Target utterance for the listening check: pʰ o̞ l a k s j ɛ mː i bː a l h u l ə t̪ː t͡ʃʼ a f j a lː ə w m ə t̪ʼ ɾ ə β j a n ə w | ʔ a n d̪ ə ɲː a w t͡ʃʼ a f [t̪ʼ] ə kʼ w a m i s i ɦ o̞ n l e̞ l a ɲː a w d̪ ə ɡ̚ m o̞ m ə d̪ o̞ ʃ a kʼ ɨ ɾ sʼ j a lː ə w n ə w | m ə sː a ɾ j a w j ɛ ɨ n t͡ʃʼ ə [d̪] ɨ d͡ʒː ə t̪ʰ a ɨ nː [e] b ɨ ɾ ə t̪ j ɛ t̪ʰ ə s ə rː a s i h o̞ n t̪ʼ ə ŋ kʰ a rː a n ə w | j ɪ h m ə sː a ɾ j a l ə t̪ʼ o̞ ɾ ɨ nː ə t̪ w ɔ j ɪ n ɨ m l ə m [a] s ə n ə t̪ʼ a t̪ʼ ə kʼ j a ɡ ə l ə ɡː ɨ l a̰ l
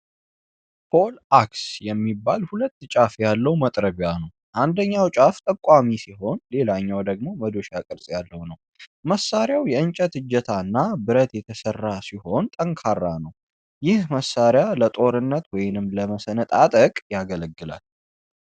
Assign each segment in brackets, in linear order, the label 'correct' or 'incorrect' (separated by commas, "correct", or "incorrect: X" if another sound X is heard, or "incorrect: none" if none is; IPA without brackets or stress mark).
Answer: correct, incorrect: t̪, incorrect: a, incorrect: ə